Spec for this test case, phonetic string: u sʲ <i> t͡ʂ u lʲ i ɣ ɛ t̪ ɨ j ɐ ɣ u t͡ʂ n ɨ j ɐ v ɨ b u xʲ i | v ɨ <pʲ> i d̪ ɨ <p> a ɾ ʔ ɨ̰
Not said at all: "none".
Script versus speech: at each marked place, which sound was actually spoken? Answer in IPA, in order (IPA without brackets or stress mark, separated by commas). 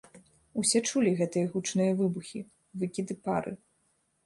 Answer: ɛ, kʲ, p